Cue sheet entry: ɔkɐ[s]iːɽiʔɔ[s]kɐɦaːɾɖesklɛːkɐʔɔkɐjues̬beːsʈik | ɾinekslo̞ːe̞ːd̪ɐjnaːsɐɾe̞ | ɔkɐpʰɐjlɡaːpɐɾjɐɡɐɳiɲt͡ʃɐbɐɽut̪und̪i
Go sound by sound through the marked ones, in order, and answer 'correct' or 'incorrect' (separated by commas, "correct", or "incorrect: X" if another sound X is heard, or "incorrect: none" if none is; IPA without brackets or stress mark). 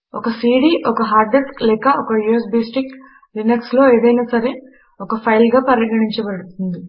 correct, incorrect: none